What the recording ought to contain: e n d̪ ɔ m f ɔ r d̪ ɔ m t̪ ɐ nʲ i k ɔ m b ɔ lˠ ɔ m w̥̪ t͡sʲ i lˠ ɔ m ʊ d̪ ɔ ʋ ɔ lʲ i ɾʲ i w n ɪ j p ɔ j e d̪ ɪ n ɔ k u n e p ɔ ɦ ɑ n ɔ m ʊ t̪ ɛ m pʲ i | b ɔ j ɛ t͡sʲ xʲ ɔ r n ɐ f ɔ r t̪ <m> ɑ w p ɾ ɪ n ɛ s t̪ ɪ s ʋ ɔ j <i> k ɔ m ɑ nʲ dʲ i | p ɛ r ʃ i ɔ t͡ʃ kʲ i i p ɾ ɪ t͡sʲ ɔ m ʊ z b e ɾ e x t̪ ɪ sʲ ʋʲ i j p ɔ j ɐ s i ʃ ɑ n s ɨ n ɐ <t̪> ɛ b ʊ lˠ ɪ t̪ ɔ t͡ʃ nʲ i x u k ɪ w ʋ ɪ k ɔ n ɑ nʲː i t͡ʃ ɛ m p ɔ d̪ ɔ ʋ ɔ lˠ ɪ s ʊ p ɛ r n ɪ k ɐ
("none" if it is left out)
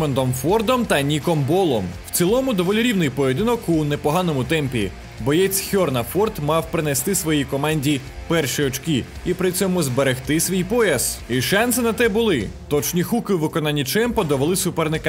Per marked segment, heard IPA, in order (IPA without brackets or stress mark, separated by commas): m, i, t̪